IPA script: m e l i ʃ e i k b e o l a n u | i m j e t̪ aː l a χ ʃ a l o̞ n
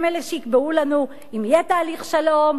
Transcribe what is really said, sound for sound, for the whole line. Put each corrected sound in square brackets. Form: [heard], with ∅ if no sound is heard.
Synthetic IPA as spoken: m e l [e] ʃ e i k b e [u] l a n u | i m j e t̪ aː l [i] χ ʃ a l o̞ [m]